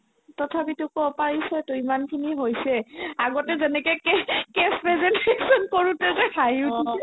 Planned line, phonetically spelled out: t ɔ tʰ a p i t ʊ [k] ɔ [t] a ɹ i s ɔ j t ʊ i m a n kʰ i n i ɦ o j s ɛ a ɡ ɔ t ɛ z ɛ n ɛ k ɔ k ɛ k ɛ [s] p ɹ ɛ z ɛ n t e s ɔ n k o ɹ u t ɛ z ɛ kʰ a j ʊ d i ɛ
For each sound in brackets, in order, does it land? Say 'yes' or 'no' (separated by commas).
yes, no, yes